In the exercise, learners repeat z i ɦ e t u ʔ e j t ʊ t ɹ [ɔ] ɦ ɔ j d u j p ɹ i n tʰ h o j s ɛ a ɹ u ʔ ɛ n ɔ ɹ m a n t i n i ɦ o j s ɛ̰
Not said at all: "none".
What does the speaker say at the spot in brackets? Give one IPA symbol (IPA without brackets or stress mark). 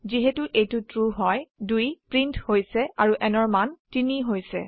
u